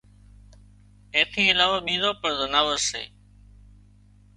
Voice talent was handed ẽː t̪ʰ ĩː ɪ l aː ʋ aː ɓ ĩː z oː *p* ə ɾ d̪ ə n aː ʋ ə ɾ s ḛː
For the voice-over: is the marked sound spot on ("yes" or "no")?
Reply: yes